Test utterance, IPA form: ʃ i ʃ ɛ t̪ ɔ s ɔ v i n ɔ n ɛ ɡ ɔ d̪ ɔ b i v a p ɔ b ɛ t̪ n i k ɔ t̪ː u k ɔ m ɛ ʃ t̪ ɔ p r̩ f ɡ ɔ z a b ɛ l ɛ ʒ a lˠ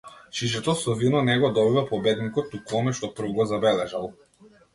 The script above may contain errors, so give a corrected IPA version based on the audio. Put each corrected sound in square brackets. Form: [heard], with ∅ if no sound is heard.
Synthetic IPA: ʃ i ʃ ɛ t̪ ɔ s ɔ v i n ɔ n ɛ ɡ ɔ d̪ ɔ b i v a p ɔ b ɛ [d̪] n i k ɔ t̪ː u k ɔ m ɛ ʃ t̪ ɔ p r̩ [v] ɡ ɔ z a b ɛ l ɛ ʒ a lˠ